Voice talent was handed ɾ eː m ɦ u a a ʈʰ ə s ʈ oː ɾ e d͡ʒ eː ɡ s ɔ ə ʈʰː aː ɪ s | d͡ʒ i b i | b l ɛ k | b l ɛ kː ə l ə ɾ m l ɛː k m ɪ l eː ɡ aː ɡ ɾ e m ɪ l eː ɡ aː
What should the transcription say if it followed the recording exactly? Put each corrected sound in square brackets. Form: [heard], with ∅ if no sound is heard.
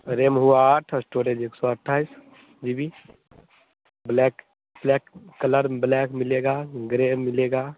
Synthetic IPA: ɾ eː m ɦ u a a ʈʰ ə s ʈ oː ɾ e d͡ʒ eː [k] s ɔ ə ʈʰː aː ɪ s | d͡ʒ i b i | b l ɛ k | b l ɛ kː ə l ə ɾ [b] l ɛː k m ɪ l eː ɡ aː ɡ ɾ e m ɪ l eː ɡ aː